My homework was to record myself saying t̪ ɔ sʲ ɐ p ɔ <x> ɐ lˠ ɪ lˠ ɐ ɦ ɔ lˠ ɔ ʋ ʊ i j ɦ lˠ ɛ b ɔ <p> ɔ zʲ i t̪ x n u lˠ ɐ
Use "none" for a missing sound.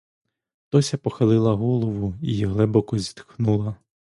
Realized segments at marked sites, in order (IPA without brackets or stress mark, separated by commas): x, k